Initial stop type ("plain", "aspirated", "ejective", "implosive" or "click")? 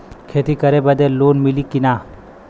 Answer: aspirated